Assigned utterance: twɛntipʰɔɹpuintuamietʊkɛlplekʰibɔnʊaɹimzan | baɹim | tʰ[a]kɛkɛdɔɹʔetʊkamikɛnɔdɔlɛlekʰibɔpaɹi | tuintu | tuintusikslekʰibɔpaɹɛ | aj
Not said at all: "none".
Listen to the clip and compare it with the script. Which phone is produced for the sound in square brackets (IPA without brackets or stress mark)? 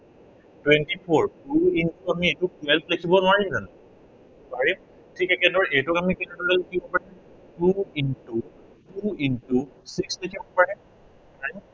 i